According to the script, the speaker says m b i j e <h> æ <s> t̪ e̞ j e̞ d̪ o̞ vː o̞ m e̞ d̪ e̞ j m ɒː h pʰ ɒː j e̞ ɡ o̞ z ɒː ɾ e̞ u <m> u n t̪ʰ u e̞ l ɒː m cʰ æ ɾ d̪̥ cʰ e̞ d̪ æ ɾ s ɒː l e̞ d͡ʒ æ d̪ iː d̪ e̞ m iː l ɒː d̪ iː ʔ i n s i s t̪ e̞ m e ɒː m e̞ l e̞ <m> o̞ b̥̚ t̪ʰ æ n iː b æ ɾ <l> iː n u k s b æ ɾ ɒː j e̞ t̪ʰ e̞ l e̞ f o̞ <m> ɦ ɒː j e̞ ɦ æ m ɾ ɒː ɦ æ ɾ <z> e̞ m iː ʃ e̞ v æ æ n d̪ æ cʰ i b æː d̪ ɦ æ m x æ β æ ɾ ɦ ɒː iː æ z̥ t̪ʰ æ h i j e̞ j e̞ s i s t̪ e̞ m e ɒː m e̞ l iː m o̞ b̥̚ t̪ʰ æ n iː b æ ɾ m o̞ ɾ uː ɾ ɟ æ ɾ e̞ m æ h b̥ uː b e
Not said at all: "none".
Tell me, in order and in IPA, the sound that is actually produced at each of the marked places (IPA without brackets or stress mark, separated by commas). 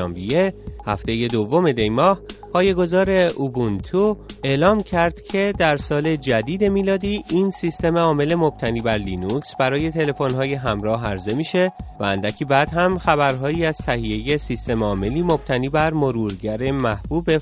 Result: h, f, b, m, l, n, z